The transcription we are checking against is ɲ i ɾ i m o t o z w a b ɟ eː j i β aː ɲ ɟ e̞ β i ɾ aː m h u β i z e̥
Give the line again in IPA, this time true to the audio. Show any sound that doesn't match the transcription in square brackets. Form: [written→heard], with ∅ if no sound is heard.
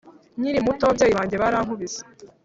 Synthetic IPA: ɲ i ɾ i m [o→u] t o [z→∅] w a b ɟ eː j i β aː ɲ ɟ e̞ β [i→a] ɾ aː [m→ŋ] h u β i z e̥